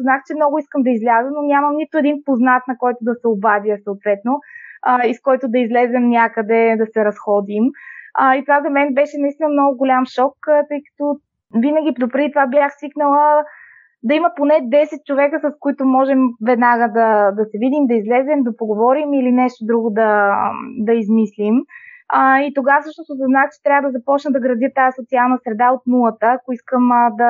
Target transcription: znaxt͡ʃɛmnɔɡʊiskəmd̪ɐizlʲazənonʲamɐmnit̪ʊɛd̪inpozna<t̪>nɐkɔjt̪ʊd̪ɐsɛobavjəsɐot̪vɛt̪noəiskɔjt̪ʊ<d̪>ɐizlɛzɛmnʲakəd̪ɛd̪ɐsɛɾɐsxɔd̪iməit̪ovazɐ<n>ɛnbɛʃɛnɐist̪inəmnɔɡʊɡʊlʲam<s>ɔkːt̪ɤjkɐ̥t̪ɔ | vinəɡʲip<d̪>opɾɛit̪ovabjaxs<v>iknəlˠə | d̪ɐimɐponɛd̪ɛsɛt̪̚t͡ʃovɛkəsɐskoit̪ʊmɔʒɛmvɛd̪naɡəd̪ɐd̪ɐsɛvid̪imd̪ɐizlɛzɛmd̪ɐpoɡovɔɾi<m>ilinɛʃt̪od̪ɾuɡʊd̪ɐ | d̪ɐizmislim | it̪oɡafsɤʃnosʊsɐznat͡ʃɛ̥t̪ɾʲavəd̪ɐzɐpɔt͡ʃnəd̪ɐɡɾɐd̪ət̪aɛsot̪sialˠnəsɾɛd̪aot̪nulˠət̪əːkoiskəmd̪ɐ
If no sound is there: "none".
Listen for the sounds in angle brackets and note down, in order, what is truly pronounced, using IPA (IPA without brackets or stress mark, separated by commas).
t̪, d̪, m, ʃ, d̪, v, m